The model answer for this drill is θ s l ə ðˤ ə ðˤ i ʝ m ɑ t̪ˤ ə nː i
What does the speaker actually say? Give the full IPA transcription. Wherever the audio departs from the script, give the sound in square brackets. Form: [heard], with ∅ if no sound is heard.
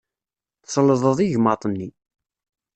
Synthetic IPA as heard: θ s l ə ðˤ ə ðˤ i ʝ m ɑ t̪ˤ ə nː i